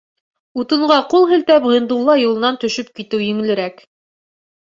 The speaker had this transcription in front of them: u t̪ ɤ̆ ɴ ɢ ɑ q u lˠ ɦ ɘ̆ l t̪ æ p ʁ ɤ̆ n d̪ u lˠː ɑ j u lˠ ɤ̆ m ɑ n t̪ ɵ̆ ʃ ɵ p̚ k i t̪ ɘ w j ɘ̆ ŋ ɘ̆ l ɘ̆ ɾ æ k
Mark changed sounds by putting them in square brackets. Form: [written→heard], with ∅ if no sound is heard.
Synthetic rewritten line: u t̪ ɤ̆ ɴ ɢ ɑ q u lˠ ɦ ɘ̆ l t̪ æ p ʁ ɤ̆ n d̪ u lˠː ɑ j u lˠ ɤ̆ [m→n] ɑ n t̪ ɵ̆ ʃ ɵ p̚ k i t̪ ɘ w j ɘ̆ ŋ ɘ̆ l ɘ̆ ɾ æ k